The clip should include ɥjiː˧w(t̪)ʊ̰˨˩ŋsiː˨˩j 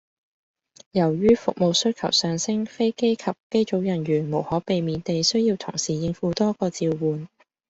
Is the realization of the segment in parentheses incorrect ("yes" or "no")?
yes